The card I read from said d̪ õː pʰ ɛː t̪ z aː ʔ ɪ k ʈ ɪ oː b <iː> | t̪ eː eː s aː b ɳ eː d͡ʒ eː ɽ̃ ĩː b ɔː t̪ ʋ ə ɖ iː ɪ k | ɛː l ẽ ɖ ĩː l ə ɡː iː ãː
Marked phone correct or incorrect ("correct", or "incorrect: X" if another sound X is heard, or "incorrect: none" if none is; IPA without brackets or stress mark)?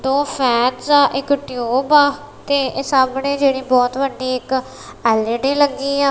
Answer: incorrect: aː